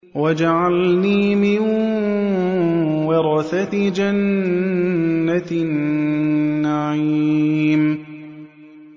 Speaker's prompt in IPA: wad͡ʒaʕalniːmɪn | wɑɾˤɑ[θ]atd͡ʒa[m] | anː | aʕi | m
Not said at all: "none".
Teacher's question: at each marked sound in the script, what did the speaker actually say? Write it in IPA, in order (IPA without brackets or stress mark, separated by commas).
θ, n